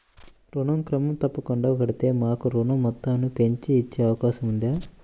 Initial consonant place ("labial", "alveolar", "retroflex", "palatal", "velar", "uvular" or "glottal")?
alveolar